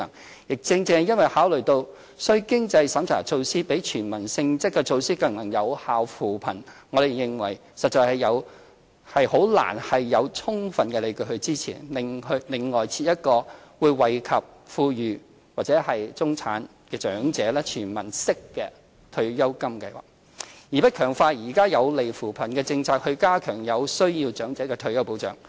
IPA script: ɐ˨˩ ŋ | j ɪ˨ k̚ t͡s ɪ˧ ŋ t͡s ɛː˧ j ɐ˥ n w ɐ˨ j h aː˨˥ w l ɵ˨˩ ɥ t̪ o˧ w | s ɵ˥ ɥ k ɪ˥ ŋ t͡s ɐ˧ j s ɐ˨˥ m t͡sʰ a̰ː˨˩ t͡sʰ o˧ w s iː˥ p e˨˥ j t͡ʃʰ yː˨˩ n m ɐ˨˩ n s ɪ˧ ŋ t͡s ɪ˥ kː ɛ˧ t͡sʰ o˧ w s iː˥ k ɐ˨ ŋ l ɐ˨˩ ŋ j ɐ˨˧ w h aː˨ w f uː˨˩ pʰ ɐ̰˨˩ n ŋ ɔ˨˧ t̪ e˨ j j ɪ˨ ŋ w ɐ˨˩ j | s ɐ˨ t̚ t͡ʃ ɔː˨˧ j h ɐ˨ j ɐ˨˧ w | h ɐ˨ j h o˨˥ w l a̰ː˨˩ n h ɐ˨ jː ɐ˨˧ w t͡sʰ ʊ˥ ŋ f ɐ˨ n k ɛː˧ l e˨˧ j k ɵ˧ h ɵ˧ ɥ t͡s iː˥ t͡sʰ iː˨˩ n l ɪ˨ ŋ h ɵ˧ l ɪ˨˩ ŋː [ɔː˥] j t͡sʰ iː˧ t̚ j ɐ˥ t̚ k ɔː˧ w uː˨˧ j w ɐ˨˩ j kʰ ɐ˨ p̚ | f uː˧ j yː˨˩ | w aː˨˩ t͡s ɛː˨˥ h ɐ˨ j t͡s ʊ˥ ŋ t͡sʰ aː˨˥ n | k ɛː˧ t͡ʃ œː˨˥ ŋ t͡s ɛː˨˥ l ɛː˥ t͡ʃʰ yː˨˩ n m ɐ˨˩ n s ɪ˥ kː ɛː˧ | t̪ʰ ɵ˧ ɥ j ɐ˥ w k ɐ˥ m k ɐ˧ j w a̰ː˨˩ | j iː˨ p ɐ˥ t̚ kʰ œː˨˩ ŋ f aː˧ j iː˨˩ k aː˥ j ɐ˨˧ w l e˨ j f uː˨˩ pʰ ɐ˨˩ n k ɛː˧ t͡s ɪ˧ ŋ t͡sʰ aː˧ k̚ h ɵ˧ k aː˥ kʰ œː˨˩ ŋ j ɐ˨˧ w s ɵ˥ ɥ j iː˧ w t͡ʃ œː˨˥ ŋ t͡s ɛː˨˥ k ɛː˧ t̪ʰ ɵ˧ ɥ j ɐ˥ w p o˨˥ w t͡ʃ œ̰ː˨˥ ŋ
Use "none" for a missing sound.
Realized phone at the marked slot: ɔː˨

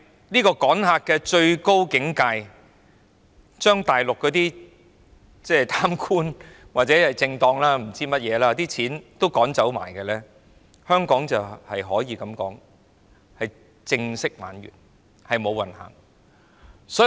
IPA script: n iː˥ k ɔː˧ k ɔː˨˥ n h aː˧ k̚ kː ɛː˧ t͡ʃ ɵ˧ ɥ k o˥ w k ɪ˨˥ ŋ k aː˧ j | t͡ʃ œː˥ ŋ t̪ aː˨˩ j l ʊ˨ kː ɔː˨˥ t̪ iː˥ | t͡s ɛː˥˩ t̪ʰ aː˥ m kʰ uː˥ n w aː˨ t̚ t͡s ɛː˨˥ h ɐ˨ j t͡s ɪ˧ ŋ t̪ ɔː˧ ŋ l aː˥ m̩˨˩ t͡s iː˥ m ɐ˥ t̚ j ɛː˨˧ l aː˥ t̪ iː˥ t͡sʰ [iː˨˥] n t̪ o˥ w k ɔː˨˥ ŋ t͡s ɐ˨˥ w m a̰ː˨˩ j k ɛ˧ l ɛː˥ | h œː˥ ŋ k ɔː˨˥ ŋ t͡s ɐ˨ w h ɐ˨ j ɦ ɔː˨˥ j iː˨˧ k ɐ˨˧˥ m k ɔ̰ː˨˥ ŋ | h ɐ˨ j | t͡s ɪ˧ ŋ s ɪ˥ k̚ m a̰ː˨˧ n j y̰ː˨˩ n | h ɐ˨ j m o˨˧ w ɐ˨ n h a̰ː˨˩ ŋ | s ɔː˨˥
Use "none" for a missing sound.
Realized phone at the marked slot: iː˨˥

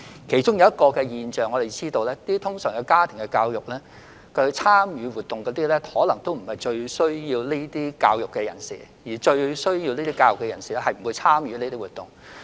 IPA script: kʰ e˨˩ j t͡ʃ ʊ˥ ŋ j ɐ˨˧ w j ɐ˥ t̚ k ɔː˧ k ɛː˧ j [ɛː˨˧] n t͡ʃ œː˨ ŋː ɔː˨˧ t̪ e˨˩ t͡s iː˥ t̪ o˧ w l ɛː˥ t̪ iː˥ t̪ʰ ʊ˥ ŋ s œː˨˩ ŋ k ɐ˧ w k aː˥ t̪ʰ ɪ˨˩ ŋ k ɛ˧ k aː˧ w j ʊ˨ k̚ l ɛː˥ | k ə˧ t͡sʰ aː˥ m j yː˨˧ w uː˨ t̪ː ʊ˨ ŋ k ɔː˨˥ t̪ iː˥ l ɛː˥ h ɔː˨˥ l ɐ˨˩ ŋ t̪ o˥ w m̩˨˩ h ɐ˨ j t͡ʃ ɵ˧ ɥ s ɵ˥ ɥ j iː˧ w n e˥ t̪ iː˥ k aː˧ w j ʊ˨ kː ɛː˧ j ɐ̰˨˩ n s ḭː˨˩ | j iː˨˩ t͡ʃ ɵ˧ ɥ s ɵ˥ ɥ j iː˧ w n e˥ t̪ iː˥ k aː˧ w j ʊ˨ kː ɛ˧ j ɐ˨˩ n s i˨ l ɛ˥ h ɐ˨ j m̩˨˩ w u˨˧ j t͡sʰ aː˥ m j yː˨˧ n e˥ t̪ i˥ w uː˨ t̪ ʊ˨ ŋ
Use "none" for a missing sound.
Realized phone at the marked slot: iː˨˧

